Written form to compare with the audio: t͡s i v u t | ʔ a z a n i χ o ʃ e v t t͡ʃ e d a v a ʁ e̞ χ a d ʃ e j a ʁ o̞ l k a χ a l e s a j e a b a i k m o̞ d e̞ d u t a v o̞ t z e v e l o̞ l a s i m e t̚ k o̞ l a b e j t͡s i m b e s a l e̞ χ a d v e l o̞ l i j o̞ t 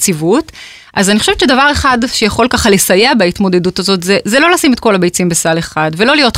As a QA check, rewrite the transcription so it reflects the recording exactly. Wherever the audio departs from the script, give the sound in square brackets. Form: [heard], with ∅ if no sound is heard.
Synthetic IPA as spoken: t͡s i v u t | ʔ a z a n i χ o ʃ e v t t͡ʃ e d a v a ʁ e̞ χ a d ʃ e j a [χ] o̞ l k a χ a l e s a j e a b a i [t] m o̞ d e̞ d u t a [z] o̞ t z e [z] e l o̞ l a s i m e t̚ k o̞ l a b e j t͡s i m b e s a l e̞ χ a d v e l o̞ l i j o̞ t